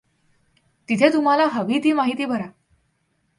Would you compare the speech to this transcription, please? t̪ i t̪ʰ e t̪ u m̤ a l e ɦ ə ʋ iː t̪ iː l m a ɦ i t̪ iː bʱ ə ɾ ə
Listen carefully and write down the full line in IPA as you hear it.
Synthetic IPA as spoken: t̪ i t̪ʰ e t̪ u m̤ a l a ɦ ə ʋ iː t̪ iː m a ɦ i t̪ iː bʱ ə ɾ a